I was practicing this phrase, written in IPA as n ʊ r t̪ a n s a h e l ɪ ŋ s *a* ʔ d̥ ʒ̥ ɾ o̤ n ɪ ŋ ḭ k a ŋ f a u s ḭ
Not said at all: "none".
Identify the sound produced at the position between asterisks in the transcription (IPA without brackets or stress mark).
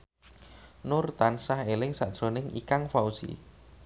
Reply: a